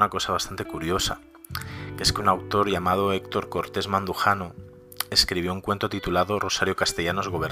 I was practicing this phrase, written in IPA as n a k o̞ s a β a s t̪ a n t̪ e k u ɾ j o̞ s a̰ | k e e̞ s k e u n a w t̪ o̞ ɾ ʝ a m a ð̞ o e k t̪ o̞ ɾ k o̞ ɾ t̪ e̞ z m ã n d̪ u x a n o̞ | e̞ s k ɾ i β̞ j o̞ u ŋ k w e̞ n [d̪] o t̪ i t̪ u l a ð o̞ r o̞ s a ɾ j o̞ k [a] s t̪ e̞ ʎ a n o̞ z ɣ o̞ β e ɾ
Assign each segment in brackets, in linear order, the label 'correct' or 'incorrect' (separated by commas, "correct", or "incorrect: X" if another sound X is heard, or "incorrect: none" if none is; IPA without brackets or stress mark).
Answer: incorrect: t̪, correct